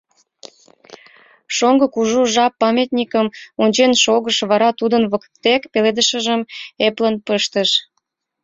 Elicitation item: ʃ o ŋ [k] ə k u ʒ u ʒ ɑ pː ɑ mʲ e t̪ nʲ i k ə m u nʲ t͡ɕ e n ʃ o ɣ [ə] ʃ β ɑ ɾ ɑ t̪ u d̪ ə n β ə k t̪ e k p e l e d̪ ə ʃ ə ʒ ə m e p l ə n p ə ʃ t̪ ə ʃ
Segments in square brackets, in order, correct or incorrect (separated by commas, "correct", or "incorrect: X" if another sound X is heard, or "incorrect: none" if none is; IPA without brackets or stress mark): incorrect: ɡ, correct